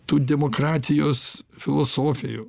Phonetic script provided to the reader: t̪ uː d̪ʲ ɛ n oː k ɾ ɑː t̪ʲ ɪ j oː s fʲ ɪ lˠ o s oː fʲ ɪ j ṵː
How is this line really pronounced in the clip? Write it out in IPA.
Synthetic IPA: t̪ uː d̪ʲ ɛ m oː k ɾ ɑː t̪ʲ ɪ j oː s fʲ ɪ lˠ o s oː fʲ ɪ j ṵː